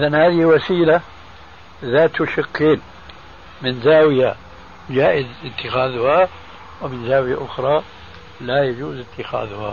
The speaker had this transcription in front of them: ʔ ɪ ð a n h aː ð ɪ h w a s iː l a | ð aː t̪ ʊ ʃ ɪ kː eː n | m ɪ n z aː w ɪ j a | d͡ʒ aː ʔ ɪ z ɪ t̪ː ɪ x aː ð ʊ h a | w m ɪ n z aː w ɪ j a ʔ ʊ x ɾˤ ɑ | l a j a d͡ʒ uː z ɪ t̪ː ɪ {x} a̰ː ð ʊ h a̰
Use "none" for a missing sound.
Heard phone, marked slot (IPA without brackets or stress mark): x